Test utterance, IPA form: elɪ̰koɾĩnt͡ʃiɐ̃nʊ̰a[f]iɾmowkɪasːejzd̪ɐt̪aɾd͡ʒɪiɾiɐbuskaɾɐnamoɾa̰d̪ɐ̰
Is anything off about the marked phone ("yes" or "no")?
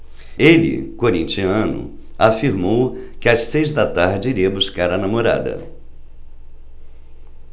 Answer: no